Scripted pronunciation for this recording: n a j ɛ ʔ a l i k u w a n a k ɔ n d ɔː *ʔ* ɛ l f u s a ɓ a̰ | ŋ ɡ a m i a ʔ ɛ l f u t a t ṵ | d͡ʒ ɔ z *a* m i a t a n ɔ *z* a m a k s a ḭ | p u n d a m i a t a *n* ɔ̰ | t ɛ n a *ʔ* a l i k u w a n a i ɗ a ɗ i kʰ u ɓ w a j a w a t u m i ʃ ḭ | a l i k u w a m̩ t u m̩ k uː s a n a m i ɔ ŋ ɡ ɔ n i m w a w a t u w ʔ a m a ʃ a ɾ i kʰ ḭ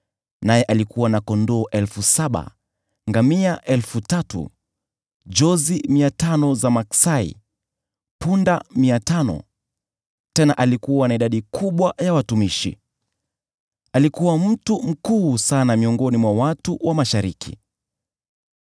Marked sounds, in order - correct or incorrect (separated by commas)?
correct, incorrect, correct, correct, correct